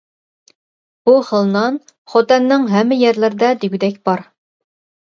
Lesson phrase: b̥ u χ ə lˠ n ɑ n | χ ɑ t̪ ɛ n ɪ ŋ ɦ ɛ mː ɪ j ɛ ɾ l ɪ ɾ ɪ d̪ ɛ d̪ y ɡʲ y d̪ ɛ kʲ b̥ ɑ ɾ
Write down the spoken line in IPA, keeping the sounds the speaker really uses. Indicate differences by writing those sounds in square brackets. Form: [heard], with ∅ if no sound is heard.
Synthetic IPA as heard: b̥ u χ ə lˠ n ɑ n | χ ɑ t̪ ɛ [nː] ɪ ŋ ɦ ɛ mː ɪ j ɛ ɾ l ɪ ɾ ɪ d̪ ɛ d̪ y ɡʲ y d̪ ɛ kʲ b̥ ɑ ɾ